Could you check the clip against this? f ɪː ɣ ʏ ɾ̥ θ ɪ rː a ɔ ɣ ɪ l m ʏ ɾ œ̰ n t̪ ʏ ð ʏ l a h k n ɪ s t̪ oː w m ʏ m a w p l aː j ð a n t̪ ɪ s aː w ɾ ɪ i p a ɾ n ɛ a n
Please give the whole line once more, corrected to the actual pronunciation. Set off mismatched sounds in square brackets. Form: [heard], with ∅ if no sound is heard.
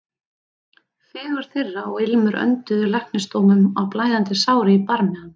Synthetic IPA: f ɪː ɣ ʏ ɾ̥ θ ɪ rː a ɔ ɣ ɪ l m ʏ ɾ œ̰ n t̪ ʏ ð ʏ l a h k n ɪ s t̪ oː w m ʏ m a w p l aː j ð a n t̪ ɪ s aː w ɾ ɪ i p a ɾ [m] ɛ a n